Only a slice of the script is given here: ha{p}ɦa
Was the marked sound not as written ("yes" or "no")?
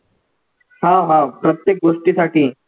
yes